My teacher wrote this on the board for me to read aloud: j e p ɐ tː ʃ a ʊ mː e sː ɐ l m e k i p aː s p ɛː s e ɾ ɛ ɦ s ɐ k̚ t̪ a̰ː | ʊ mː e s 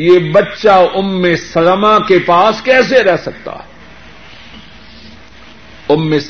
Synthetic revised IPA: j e b ɐ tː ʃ a ʊ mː e s ɐ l m a k e p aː s k ɛː s e ɾ ɛ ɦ s ɐ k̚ t̪ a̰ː | ʊ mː e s